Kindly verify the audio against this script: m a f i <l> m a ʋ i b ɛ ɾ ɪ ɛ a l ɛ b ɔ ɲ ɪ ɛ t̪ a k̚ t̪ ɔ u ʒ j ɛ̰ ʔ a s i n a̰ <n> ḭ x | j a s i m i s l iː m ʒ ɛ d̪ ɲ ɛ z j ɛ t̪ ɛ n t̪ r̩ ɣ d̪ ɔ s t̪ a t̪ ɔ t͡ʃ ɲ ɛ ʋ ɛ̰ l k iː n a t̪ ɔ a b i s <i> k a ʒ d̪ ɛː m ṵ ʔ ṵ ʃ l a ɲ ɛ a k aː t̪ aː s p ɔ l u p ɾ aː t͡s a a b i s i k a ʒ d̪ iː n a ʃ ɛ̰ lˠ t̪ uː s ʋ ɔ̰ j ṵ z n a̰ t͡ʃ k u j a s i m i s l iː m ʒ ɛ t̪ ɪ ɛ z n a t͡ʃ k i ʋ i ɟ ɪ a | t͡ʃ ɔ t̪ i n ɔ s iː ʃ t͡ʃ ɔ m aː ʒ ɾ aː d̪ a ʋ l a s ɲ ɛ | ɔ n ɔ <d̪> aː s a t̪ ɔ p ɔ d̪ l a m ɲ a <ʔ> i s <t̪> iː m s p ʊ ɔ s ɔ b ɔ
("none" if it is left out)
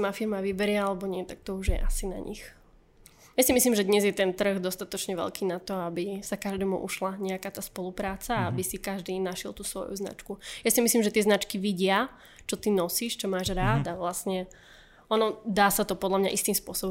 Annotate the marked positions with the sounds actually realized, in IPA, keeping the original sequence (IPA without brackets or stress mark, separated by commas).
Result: ɾ, ɲ, a, d̪, ʔ, t̪